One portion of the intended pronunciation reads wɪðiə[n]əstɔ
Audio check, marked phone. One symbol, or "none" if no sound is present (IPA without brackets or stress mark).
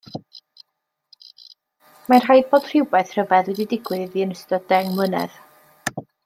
n